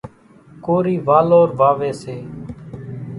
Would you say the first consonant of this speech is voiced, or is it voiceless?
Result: voiceless